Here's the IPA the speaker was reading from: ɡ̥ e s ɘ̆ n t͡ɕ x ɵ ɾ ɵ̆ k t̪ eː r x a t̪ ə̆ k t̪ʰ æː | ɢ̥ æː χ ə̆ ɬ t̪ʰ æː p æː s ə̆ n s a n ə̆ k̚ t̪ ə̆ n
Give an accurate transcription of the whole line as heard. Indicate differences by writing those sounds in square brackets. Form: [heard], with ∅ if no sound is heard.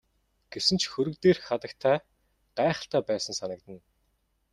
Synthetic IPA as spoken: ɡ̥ e s ɘ̆ n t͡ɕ x ɵ ɾ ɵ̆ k t̪ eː r x a t̪ ə̆ k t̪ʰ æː | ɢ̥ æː χ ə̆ ɬ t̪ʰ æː p æː s ə̆ n s a n ə̆ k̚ t̪ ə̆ n